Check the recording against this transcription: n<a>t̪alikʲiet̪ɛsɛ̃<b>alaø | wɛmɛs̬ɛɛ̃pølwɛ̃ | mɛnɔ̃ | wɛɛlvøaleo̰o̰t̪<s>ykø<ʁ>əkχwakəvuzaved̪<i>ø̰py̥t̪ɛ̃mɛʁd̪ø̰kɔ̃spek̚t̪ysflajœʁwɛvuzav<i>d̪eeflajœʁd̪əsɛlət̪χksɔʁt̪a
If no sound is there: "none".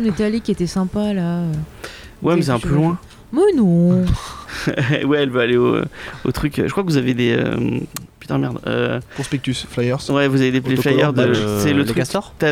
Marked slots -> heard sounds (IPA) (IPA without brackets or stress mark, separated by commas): e, p, χ, ʒ, e, e